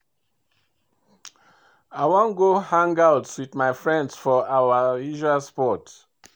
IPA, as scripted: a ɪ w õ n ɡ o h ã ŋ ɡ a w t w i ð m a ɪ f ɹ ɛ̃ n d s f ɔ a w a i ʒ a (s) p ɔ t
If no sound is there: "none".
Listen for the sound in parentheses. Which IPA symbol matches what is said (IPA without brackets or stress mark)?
s